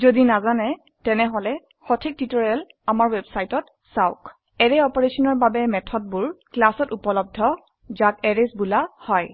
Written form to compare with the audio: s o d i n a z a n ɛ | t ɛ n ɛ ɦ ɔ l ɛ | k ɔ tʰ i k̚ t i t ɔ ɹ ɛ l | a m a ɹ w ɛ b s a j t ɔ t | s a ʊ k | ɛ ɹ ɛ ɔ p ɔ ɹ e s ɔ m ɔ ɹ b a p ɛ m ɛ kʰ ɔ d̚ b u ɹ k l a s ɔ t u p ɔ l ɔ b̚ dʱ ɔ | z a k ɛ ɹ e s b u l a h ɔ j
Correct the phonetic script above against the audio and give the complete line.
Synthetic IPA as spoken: z o d i n a z a n ɛ | t ɛ n ɛ ɦ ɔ l ɛ | x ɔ tʰ i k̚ t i t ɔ ɹ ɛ l | a m a ɹ w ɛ b s a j t ɔ t | s a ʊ k | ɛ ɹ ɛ ɔ p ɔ ɹ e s ɔ n ɔ ɹ b a b ɛ m ɛ tʰ ɔ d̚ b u ɹ k l a s ɔ t u p ɔ l ɔ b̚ dʱ ɔ | z a k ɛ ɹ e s b u l a h ɔ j